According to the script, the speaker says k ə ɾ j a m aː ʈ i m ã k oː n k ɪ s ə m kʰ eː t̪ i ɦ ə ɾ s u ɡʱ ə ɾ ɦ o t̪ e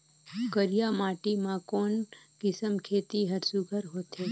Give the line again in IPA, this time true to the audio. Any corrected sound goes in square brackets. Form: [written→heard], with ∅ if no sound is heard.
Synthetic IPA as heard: k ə ɾ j a m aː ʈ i m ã k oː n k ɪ s ə m kʰ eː t̪ i ɦ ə ɾ s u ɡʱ ə ɾ ɦ o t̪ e

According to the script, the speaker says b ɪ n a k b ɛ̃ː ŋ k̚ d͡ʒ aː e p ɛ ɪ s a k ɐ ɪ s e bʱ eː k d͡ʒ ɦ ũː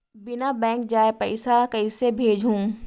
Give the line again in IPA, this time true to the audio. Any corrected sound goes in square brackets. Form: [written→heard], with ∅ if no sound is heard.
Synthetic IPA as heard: b ɪ n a [k→∅] b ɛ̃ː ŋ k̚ d͡ʒ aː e p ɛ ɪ s a k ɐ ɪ s e bʱ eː [k→∅] d͡ʒ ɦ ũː

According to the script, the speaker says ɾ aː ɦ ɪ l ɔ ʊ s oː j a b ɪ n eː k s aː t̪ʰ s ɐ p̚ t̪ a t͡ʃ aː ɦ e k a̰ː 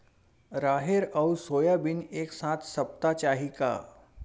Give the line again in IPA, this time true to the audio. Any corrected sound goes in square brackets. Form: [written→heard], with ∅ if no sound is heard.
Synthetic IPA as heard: ɾ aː ɦ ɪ [l→ɾ] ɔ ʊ s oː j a b ɪ n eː k s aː t̪ʰ s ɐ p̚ t̪ a t͡ʃ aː ɦ [e→i] k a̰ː

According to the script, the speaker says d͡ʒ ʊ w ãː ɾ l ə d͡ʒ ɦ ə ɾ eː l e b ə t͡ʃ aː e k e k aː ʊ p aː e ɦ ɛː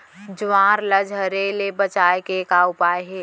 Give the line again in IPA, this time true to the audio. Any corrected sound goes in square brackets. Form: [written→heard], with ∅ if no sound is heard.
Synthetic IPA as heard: d͡ʒ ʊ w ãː ɾ l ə d͡ʒ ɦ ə ɾ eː l e b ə t͡ʃ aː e k e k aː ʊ p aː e ɦ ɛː

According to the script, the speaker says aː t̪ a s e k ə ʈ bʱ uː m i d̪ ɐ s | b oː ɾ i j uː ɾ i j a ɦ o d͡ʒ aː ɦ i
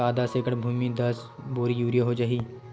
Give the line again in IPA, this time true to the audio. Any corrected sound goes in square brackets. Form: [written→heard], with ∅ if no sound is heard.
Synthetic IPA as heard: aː [t̪→d̪] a s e k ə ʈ bʱ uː m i d̪ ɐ s | b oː ɾ i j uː ɾ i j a ɦ o d͡ʒ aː ɦ i

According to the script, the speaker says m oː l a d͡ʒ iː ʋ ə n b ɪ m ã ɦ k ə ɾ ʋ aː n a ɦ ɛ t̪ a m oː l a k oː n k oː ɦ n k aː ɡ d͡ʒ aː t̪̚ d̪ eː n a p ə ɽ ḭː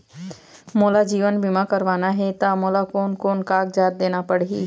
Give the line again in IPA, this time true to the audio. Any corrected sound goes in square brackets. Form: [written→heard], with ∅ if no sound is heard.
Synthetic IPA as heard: m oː l a d͡ʒ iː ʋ ə n b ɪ m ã [ɦ→∅] k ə ɾ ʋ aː n a ɦ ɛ t̪ a m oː l a k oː n k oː [ɦ→∅] n k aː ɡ d͡ʒ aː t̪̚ d̪ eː n a p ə ɽ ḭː

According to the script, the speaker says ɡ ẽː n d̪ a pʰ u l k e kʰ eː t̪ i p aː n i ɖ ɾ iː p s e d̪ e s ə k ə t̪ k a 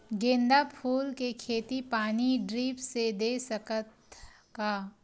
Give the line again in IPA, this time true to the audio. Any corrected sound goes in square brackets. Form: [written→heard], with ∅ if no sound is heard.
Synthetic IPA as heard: ɡ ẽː n d̪ a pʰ [u→uː] l k e kʰ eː t̪ i p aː n i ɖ ɾ iː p s e d̪ e s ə k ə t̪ k a

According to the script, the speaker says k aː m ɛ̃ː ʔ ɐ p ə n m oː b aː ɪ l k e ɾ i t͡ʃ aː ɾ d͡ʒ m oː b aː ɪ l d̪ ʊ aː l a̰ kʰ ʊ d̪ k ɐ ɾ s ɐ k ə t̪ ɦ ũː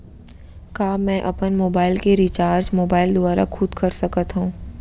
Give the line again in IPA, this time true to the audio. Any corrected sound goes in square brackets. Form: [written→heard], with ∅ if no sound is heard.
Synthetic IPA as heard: k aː m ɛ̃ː ʔ ɐ p ə n m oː b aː ɪ l k e ɾ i t͡ʃ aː ɾ d͡ʒ m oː b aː ɪ l d̪ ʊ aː [l→ɾ] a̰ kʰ ʊ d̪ k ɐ ɾ s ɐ k ə t̪ ɦ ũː

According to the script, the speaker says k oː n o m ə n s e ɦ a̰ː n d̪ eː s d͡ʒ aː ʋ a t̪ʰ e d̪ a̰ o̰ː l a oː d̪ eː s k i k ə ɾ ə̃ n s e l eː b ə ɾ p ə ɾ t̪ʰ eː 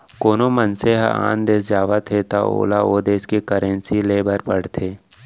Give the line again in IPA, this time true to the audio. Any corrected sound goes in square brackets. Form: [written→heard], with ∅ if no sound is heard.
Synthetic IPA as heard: k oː n o m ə n s e ɦ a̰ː n d̪ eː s d͡ʒ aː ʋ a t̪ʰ e [d̪→t̪] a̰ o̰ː l a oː d̪ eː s k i k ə ɾ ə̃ n s [e→i] l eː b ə ɾ p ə [ɾ→ɽ] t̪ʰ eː

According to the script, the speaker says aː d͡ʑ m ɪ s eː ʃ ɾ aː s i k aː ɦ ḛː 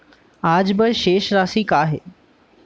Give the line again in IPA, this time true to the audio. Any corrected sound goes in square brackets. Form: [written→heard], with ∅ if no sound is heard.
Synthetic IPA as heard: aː d͡ʑ [m→b] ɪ [s→ʃ] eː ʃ ɾ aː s i k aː ɦ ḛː

